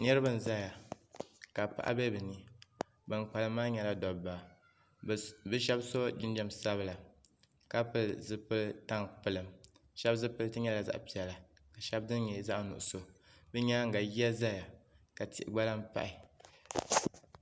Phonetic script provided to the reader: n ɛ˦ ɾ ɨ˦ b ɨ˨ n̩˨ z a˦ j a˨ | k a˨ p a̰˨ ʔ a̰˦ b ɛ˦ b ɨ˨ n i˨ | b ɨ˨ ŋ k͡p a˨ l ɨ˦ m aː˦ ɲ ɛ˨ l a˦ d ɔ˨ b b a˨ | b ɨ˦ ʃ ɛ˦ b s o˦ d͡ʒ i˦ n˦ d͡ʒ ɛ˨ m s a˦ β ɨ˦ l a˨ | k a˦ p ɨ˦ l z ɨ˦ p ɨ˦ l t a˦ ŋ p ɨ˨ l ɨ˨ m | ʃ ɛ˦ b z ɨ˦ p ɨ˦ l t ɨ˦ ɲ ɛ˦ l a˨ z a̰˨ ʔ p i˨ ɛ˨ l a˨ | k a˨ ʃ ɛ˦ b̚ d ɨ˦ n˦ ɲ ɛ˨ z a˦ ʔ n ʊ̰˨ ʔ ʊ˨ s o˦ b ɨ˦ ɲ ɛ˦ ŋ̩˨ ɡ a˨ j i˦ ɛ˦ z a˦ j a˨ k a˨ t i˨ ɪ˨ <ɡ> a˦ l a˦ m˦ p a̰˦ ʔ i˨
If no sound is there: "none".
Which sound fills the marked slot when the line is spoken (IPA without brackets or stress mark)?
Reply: ɡ͡b